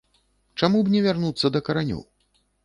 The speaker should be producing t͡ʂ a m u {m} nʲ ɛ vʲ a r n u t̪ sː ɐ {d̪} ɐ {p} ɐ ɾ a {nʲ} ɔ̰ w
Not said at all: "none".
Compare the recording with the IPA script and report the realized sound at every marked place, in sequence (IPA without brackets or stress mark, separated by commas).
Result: b, d̪, k, nʲ